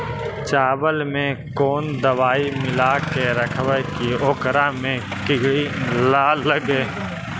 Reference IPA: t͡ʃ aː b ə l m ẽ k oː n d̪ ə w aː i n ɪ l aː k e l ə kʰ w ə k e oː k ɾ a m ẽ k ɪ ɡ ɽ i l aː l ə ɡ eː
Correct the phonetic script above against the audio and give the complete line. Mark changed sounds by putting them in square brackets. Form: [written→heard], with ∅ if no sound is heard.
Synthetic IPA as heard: t͡ʃ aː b ə l m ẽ k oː n d̪ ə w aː i [n→m] ɪ l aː k e [l→ɾ] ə kʰ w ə k [e→i] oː k ɾ a m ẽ k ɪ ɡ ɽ i l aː l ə ɡ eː